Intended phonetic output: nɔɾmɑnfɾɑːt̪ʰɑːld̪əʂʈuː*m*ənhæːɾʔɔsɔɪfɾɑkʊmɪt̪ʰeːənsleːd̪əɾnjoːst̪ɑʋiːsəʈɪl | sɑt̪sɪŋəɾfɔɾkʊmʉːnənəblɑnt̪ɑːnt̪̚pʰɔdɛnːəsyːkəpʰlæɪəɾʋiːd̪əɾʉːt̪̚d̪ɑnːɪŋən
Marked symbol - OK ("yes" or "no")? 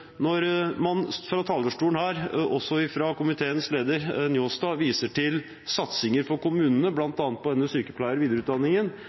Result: no